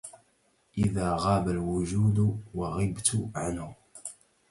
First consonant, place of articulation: glottal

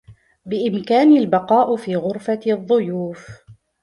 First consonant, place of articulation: labial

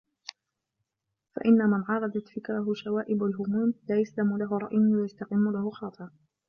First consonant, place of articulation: labial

